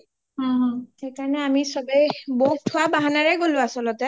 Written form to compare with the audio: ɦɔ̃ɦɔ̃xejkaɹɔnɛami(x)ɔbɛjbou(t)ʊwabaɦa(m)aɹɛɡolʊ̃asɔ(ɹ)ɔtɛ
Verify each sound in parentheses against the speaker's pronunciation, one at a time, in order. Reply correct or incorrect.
incorrect, incorrect, incorrect, incorrect

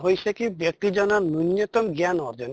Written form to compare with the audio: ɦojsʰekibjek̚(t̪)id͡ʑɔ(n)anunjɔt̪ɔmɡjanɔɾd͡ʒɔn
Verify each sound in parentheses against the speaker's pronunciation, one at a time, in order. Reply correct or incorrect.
correct, correct

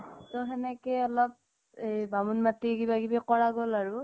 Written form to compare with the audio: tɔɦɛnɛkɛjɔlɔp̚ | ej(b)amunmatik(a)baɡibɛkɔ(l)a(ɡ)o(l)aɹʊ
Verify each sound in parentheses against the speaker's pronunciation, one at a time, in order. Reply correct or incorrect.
correct, incorrect, incorrect, correct, correct

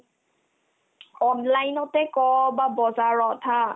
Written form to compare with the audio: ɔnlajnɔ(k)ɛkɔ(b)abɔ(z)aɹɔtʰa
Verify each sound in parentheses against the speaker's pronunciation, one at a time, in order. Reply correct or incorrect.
incorrect, correct, correct

